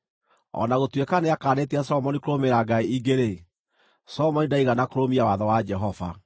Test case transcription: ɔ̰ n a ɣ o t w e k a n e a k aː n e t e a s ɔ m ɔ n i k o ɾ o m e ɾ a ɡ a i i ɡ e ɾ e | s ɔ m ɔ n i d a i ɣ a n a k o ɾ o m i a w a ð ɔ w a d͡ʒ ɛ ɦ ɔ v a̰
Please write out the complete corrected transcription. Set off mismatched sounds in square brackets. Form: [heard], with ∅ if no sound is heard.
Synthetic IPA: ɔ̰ n a ɣ o t w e k a n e a k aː n e t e a s ɔ m ɔ n i k o ɾ o m e ɾ a ɡ a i i ɡ e ɾ e | s ɔ m ɔ n i d a i ɣ a n a k o ɾ o m i a w a ð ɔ w a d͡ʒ ɛ ɦ ɔ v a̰